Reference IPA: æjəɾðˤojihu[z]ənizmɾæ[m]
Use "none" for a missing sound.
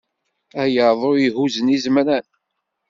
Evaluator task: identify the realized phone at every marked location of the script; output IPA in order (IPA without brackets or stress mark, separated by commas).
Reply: z, n